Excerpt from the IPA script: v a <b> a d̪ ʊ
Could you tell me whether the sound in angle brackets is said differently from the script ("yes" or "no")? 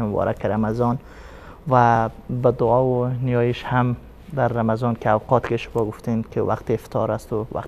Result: no